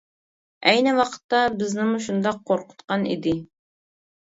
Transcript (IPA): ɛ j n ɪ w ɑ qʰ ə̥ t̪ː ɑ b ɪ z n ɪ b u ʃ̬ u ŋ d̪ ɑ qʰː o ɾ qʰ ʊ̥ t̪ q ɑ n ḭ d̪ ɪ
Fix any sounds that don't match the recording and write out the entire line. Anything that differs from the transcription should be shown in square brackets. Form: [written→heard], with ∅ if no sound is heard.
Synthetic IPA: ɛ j n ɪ w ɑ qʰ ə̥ t̪ː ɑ b ɪ z n ɪ [b→m] u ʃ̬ u [ŋ→n] d̪ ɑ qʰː o ɾ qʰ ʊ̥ t̪ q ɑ n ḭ d̪ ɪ